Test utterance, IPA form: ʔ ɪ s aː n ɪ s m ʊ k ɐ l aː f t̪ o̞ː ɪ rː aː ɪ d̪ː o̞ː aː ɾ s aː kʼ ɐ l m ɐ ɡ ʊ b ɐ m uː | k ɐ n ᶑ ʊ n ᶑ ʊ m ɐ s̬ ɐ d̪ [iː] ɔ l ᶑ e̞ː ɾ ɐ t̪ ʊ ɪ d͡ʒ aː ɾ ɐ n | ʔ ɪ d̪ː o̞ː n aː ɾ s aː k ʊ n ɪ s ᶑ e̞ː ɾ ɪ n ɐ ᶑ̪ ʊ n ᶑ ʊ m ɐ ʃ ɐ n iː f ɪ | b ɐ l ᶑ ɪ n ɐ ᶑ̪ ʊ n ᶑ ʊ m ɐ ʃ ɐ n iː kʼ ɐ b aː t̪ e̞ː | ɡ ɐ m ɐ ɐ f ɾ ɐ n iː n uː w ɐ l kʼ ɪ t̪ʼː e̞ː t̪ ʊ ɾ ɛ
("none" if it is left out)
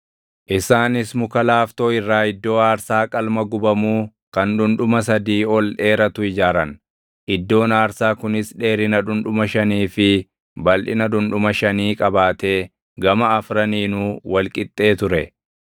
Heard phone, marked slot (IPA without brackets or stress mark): iː